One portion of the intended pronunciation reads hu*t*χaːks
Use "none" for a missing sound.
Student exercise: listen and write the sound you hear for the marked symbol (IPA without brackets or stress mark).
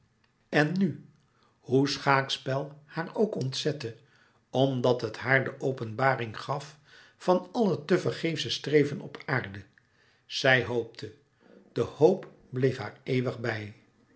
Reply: s